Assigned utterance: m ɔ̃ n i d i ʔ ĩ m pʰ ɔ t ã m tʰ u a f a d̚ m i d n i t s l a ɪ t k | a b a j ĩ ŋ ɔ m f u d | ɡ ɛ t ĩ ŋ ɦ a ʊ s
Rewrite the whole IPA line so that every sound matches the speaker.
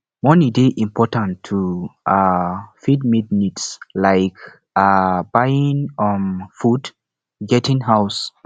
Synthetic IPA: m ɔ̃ n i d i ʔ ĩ m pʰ ɔ t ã n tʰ u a f i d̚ m i d n i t s l a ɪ k | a b a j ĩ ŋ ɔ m f u d | ɡ ɛ t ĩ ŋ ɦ a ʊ s